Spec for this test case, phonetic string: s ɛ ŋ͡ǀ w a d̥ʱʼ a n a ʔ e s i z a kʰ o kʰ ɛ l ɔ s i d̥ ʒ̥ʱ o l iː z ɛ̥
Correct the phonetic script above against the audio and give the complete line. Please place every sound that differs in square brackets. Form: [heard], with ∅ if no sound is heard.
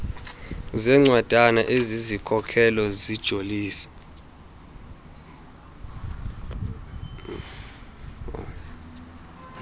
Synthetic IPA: [z] ɛ ŋ͡ǀ w a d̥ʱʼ a n a ʔ e [z] i z [i] kʰ [ɔ] kʰ ɛ l ɔ [z] i d̥ ʒ̥ʱ o l iː [s] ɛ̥